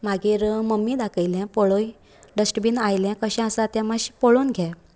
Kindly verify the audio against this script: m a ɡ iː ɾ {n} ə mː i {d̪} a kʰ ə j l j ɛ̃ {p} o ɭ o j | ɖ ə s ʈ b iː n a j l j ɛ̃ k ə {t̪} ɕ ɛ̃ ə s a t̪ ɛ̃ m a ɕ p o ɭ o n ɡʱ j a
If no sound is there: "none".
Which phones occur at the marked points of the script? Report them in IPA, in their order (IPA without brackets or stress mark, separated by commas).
m, d̪, p, none